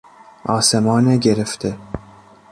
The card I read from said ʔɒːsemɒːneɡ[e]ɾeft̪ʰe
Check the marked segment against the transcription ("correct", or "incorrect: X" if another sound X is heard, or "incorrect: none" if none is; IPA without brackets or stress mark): correct